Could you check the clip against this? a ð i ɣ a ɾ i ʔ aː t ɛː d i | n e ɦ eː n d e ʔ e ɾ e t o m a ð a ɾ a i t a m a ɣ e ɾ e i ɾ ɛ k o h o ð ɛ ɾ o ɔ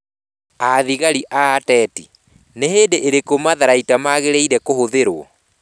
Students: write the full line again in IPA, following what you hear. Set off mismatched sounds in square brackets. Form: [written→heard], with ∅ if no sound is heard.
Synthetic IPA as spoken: a ð i ɣ a ɾ i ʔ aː t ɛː [d→t] i | n e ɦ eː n d e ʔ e ɾ e [t→k] o m a ð a ɾ a i t a m a ɣ e ɾ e i ɾ ɛ k o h o ð [ɛ→e] ɾ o ɔ